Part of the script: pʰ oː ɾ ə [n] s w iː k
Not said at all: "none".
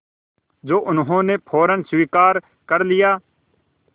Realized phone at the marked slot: n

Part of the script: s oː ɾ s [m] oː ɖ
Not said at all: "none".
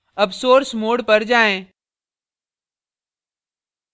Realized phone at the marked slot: m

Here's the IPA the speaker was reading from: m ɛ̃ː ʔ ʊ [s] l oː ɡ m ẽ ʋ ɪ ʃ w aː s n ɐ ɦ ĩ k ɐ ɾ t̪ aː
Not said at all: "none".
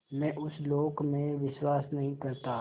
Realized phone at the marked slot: s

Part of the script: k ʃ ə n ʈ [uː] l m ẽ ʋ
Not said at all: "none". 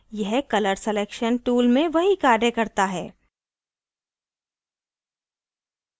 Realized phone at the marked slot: uː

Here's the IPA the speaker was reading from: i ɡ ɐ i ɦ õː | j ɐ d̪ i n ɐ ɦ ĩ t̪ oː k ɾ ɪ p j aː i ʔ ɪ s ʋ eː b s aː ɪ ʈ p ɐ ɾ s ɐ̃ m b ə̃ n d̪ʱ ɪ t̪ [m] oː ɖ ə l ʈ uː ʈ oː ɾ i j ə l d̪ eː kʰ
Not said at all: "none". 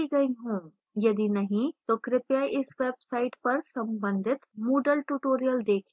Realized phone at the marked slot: m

